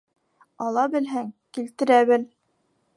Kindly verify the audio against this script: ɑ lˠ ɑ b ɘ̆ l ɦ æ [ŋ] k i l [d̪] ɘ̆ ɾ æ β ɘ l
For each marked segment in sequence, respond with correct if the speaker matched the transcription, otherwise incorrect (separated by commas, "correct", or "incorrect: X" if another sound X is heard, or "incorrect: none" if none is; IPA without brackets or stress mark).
correct, incorrect: t̪